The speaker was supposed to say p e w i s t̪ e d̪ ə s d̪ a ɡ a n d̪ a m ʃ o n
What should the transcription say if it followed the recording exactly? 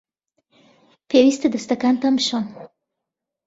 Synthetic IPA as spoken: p e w i s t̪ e d̪ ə s t̪ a k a n t̪ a m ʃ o n